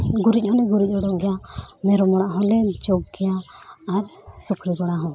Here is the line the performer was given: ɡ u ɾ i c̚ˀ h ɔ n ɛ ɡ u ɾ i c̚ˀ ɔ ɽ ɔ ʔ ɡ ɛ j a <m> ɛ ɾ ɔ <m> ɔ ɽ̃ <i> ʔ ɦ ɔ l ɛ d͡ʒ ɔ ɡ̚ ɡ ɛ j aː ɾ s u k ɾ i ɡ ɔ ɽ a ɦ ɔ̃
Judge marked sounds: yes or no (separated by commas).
yes, yes, no